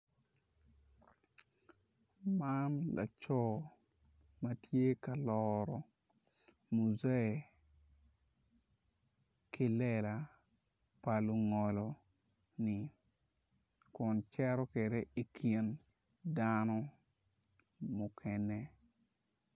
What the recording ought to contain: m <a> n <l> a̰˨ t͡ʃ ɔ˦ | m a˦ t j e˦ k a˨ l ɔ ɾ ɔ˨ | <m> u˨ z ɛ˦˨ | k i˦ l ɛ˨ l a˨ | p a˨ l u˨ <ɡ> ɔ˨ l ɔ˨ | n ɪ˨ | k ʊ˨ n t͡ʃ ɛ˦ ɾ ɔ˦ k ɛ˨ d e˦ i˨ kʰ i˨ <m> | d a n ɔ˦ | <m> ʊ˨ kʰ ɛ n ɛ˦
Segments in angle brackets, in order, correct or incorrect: correct, correct, correct, incorrect: ŋ, incorrect: n, correct

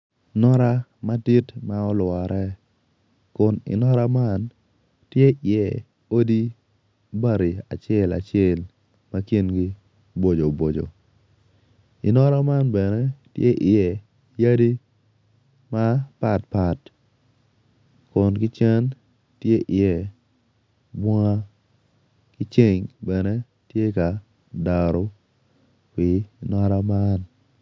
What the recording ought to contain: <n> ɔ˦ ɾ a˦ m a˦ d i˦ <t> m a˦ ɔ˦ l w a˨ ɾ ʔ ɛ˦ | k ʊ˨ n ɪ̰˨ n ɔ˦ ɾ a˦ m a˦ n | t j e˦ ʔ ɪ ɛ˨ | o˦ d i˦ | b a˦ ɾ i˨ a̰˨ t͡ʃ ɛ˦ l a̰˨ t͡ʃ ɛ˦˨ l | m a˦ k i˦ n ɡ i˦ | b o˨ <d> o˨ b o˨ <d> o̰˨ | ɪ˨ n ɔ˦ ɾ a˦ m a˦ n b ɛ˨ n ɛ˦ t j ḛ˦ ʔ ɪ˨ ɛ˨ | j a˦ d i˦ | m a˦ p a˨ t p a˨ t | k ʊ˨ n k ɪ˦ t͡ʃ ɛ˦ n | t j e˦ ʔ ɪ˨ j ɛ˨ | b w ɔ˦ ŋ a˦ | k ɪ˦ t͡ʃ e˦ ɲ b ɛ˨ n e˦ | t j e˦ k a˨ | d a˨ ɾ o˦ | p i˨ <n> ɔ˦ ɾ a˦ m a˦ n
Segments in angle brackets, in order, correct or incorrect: correct, correct, incorrect: d͡ʒ, incorrect: d͡ʒ, correct

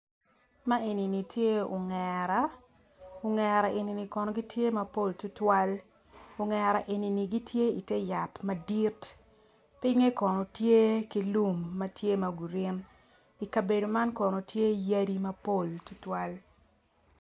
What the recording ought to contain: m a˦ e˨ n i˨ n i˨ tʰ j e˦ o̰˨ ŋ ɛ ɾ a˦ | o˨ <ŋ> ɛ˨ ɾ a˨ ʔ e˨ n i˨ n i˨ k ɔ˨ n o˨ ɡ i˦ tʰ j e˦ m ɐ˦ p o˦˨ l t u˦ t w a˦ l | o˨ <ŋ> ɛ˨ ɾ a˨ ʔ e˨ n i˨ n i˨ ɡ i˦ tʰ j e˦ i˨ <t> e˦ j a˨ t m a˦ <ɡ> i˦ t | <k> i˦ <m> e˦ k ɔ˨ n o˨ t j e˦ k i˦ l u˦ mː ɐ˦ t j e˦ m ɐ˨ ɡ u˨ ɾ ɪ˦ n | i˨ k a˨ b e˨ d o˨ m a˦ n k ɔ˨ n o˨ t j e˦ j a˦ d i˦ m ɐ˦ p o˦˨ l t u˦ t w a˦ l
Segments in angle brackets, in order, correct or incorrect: correct, correct, correct, incorrect: d, incorrect: p, incorrect: ŋ

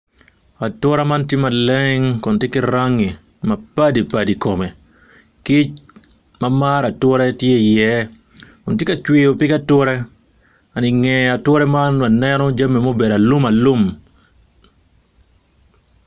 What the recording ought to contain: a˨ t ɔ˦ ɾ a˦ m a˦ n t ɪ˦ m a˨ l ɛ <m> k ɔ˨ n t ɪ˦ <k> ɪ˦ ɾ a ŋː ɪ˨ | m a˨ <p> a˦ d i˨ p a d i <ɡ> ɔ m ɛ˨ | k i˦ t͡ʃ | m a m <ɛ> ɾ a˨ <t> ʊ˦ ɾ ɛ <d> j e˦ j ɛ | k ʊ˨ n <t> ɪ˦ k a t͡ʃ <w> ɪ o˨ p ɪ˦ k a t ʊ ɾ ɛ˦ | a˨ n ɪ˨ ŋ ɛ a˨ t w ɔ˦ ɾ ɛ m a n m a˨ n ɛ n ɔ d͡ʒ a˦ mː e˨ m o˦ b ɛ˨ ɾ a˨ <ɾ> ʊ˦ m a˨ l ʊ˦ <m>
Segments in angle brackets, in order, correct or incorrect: incorrect: ŋ, correct, correct, incorrect: k, incorrect: a, correct, incorrect: t, correct, correct, incorrect: l, correct

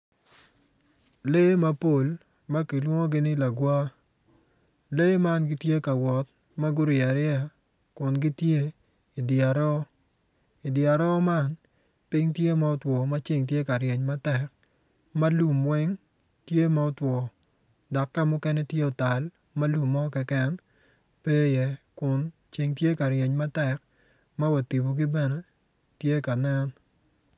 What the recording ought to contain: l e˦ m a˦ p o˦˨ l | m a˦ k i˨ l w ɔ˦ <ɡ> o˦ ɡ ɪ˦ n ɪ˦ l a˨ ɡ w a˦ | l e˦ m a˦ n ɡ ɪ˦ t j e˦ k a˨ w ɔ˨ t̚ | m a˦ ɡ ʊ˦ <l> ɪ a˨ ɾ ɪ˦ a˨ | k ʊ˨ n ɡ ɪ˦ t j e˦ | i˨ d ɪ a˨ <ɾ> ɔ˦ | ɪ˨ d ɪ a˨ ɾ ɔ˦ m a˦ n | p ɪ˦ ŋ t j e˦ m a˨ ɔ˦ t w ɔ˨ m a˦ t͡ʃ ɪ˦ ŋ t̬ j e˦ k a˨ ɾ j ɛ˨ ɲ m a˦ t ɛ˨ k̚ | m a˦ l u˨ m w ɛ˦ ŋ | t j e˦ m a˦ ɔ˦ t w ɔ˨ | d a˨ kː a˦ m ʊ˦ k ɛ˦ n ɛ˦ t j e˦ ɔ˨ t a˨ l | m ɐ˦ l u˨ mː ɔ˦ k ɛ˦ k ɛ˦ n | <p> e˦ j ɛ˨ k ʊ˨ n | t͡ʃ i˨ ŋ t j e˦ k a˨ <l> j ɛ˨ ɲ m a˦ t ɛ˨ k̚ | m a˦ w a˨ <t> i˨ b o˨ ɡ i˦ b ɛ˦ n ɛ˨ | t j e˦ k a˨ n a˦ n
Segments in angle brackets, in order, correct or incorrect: incorrect: ŋ, incorrect: ɾ, correct, correct, incorrect: ɾ, correct

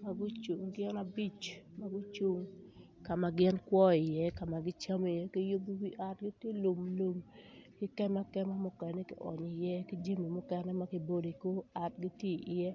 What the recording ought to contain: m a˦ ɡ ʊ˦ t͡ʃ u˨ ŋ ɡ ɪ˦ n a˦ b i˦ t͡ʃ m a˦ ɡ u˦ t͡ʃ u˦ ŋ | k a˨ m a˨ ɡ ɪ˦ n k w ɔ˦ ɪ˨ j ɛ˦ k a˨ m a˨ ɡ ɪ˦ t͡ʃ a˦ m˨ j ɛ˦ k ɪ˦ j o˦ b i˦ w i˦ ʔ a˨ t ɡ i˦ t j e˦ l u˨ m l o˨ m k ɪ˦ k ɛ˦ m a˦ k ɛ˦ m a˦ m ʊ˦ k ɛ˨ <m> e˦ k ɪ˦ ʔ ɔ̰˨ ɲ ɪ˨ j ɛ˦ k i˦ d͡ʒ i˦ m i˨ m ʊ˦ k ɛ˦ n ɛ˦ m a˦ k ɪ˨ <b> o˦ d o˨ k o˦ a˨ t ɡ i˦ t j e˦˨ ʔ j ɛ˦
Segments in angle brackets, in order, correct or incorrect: incorrect: n, correct

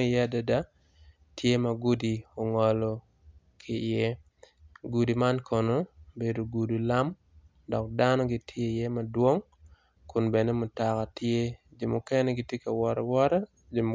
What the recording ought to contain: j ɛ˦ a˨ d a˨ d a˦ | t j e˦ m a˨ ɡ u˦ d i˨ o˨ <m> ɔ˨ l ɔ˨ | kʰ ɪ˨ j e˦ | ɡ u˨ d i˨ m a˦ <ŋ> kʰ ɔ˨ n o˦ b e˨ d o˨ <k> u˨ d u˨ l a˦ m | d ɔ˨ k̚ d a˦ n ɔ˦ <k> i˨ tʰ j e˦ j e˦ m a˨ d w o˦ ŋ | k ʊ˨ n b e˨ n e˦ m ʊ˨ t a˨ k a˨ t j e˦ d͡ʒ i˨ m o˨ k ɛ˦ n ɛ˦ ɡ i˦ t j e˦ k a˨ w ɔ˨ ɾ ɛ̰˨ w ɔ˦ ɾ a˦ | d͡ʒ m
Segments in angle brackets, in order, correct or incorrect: incorrect: ŋ, incorrect: n, incorrect: ɡ, incorrect: ɡ

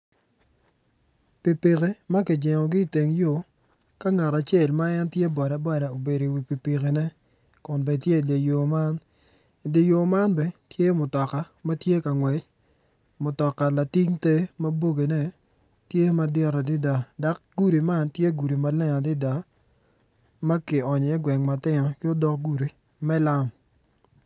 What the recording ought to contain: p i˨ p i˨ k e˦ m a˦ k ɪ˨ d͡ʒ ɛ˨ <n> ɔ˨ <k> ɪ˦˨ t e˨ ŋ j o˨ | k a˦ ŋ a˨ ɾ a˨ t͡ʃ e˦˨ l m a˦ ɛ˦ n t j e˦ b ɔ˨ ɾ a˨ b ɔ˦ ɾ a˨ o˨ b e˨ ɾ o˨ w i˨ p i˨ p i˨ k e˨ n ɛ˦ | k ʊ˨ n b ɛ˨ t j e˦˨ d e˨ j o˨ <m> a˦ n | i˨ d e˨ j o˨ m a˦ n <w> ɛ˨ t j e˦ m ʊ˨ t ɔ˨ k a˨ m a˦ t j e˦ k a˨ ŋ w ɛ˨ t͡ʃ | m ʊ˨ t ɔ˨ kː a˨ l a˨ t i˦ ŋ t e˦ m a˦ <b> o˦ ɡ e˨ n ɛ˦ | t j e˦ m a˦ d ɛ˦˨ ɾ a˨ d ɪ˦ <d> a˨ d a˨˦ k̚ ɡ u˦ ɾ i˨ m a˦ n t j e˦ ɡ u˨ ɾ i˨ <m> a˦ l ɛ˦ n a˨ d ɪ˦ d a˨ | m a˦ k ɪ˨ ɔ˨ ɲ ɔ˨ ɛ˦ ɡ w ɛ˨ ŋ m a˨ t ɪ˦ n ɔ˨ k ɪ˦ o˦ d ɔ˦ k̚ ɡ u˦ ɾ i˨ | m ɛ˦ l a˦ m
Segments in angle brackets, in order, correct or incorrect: incorrect: ŋ, incorrect: ɡ, correct, incorrect: b, correct, correct, correct

